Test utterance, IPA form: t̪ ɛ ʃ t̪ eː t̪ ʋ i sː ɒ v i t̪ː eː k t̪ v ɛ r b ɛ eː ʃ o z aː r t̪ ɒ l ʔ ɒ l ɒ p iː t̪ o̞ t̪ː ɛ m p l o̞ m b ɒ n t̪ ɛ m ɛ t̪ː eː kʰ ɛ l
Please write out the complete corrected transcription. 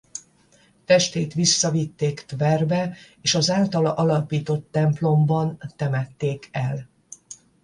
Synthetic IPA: t̪ ɛ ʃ t̪ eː t̪ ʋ i sː ɒ v i t̪ː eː k t̪ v ɛ r b ɛ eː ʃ ɒ z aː l t̪ ɒ l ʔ ɒ l ɒ p iː t̪ o̞ t̪ː ɛ m p l o̞ m b ɒ n t̪ ɛ m ɛ t̪ː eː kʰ ɛ l